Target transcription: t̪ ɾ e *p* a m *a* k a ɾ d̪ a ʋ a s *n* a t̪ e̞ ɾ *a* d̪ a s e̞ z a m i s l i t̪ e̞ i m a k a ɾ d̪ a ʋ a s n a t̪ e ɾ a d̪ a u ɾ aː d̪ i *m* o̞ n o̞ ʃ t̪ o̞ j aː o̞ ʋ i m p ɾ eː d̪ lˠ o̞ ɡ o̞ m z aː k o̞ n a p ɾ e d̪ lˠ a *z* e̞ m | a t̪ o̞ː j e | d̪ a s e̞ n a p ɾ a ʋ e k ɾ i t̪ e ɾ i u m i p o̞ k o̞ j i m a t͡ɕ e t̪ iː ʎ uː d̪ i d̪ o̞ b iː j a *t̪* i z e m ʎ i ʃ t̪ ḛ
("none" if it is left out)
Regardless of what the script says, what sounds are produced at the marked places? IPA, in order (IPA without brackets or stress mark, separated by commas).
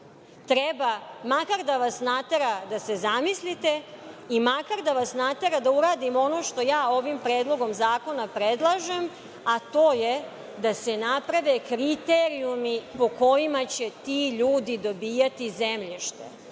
b, a, n, a, m, ʒ, t̪